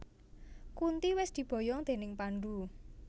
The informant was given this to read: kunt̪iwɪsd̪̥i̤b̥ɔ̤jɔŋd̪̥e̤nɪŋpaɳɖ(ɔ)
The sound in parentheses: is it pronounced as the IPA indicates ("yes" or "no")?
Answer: no